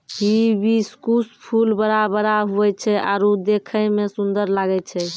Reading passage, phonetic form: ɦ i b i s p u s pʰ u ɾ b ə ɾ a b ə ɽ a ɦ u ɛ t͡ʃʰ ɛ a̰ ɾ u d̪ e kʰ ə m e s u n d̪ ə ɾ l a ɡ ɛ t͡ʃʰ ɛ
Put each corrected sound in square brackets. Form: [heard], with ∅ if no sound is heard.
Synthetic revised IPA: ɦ i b i s [k] u s pʰ u [l] b ə ɾ a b ə [ɾ] a ɦ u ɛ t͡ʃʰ ɛ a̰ ɾ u d̪ e kʰ ə m e s u n d̪ ə ɾ l a ɡ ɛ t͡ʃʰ ɛ